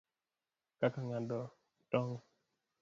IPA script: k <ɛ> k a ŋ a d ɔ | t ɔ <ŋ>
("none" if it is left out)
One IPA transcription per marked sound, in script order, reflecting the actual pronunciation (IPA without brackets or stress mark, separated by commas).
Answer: a, ŋ